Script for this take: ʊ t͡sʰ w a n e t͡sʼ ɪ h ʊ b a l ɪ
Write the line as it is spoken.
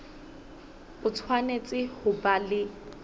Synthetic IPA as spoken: ʊ t͡sʰ w a n e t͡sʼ ɪ h ʊ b a l ɪ